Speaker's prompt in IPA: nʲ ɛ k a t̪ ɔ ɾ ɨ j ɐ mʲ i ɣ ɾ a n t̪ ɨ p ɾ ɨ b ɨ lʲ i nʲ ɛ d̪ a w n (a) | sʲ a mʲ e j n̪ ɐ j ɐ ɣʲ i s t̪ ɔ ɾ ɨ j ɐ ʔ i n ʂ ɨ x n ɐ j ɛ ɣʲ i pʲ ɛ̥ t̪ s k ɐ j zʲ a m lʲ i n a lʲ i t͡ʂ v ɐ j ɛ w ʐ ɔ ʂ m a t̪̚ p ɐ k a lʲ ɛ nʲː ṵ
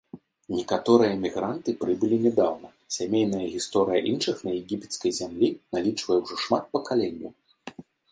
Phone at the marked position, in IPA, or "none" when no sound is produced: ɐ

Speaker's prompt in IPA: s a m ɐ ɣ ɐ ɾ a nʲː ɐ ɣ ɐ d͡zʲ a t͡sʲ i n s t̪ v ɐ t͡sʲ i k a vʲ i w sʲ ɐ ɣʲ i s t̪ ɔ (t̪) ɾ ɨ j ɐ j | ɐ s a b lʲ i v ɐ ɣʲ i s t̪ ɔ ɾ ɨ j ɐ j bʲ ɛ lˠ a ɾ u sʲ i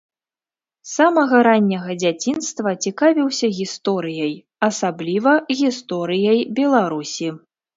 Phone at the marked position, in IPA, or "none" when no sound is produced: none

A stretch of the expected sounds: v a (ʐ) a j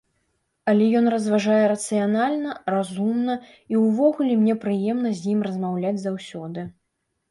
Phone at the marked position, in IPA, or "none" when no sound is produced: ʐ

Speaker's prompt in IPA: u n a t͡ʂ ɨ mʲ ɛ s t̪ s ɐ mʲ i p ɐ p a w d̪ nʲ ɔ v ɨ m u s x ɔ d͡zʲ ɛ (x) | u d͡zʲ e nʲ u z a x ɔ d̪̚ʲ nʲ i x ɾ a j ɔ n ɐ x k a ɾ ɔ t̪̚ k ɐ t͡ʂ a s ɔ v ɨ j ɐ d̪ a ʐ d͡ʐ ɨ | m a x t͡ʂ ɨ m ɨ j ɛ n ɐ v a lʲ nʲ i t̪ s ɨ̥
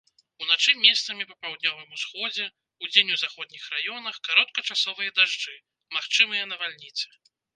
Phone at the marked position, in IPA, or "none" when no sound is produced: none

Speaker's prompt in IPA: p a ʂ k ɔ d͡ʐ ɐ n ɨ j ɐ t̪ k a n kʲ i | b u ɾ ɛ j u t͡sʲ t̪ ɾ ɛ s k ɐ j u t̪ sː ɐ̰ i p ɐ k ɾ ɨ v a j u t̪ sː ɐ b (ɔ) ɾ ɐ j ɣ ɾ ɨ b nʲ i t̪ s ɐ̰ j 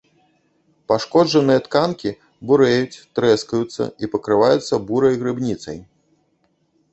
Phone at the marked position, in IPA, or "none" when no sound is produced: u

